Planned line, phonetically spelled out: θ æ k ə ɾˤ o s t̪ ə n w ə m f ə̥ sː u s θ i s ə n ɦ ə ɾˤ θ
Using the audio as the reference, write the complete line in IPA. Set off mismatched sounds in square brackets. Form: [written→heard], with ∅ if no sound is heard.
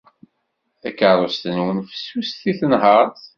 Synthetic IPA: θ æ k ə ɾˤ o s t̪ ə n w ə [m→n] f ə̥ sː u s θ i [s→θ] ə n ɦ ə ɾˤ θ